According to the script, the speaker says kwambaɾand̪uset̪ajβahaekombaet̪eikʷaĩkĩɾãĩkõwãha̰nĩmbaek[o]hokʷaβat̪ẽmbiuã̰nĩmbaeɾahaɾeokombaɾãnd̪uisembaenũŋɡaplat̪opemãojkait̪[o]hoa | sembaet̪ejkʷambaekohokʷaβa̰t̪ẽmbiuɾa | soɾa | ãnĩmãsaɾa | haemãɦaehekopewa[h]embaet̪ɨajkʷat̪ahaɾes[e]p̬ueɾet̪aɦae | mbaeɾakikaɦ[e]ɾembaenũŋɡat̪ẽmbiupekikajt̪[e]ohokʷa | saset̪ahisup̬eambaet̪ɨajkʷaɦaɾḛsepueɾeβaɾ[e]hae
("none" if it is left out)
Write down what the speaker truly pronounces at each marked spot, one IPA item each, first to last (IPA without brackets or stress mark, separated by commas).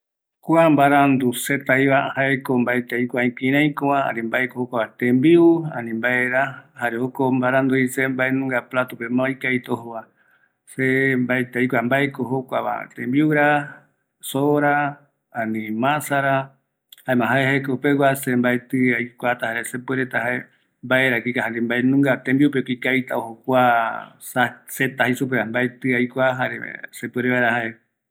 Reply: o, o, s, e, a, a, a